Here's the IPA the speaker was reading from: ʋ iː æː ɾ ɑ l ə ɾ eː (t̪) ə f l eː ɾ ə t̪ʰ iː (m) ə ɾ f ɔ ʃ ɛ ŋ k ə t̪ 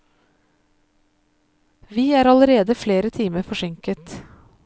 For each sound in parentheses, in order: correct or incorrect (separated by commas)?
incorrect, correct